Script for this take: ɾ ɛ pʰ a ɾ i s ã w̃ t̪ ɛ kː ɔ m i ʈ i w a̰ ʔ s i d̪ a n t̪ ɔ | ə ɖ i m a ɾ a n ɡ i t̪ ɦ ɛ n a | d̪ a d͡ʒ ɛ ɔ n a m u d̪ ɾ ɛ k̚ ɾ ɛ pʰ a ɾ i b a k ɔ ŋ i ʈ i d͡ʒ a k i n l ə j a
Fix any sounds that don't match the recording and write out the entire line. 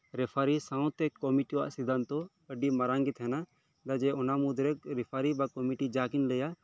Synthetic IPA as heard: ɾ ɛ pʰ a ɾ i s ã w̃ t̪ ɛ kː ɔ m i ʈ i w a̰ ʔ s i d̪ a n t̪ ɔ | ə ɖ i m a ɾ a ŋ ɡ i t̪ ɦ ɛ n a | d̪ a d͡ʒ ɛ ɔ n a m u d̪ ɾ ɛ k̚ ɾ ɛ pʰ a ɾ i b a k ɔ m i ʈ i d͡ʒ a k i n l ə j a